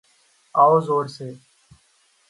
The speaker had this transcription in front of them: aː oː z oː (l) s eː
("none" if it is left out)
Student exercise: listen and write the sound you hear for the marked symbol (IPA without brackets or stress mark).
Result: ɾ